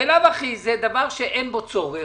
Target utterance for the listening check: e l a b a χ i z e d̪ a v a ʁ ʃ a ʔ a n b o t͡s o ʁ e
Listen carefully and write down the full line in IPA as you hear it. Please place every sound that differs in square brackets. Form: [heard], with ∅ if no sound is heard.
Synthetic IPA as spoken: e l a [v] a χ i z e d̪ a v a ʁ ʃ [e] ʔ [e] n b o t͡s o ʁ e